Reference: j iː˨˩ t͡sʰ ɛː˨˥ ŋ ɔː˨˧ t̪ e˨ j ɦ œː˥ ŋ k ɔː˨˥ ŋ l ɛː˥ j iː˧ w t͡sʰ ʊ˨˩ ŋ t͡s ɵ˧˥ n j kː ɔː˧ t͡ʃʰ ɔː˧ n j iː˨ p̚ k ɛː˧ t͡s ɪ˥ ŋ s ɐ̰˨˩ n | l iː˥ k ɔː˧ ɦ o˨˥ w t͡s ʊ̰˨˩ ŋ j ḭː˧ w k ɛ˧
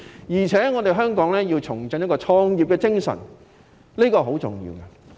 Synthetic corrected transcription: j iː˨˩ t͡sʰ ɛː˨˥ ŋ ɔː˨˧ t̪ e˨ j ɦ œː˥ ŋ k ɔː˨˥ ŋ l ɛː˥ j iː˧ w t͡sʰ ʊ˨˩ ŋ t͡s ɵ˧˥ n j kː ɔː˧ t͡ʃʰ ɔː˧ ŋ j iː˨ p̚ k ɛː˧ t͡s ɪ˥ ŋ s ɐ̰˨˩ n | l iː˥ k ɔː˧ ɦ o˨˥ w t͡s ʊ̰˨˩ ŋ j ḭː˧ w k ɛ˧